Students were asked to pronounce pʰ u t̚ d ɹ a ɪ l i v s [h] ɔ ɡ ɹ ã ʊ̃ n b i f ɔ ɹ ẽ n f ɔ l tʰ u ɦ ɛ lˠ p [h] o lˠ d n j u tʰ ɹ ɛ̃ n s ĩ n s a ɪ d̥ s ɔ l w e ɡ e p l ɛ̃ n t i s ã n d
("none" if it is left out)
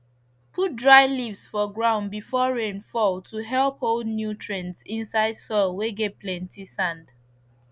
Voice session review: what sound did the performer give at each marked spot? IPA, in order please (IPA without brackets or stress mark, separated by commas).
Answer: f, h